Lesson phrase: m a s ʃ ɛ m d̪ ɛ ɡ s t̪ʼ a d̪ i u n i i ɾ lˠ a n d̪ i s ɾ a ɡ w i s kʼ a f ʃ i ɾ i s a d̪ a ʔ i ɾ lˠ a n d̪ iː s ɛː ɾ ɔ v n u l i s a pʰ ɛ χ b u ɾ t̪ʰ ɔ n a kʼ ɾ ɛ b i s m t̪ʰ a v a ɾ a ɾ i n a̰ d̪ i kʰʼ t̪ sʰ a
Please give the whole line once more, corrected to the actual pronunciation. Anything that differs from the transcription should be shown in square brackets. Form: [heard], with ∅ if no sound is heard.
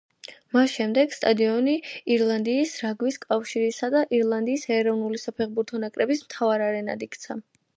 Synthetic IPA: m a s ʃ ɛ m d̪ ɛ ɡ s t̪ʼ a d̪ i [ɔ] n i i ɾ lˠ a n d̪ [iː] s ɾ a ɡ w i s kʼ a f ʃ i ɾ i s a d̪ a ʔ i ɾ lˠ a n d̪ iː s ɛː ɾ ɔ v n u l i s a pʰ ɛ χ b u ɾ t̪ʰ ɔ n a kʼ ɾ ɛ b i s m t̪ʰ a v a ɾ a ɾ [ɛ] n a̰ d̪ i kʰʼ t̪ sʰ a